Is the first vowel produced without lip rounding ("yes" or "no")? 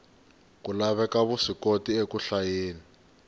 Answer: no